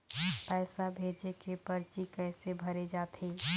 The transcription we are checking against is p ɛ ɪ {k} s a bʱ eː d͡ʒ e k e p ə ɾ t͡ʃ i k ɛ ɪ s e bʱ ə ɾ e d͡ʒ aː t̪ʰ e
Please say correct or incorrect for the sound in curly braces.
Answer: incorrect